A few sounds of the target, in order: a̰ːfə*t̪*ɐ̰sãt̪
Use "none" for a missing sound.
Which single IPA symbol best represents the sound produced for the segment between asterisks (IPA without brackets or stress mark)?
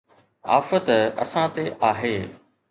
t̪